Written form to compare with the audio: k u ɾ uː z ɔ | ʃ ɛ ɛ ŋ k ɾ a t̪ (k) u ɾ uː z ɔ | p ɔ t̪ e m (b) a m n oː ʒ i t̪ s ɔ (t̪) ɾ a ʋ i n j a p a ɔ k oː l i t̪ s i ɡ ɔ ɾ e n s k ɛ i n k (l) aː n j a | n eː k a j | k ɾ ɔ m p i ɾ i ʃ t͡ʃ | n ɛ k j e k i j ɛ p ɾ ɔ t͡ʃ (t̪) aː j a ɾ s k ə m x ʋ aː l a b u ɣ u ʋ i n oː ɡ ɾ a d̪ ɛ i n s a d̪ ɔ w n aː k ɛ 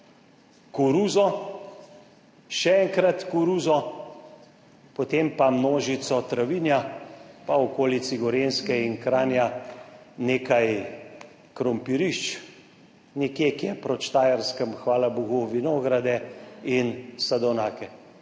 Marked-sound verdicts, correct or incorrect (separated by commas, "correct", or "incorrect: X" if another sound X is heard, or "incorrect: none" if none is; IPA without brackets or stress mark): correct, incorrect: p, correct, incorrect: ɾ, correct